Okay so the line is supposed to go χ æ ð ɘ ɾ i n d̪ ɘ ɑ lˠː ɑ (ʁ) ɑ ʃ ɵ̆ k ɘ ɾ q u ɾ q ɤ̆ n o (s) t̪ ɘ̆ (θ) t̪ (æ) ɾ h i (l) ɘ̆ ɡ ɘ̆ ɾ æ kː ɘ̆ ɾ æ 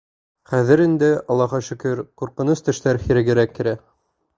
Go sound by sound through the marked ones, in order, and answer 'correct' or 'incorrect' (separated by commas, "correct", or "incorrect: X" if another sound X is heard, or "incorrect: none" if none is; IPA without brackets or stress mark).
correct, correct, incorrect: ʃ, correct, incorrect: ɾ